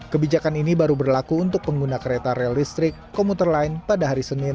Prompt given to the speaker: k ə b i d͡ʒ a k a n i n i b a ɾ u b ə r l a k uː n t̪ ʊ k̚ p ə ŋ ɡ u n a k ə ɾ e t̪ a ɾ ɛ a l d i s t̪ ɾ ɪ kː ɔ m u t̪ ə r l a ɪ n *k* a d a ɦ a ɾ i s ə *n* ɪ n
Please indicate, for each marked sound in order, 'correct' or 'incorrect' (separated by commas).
incorrect, correct